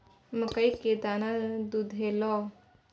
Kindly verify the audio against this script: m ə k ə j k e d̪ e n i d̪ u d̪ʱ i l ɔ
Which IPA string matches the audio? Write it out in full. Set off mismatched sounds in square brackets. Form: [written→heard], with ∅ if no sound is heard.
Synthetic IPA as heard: m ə k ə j k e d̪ [e→a] n [i→a] d̪ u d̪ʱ [i→e] l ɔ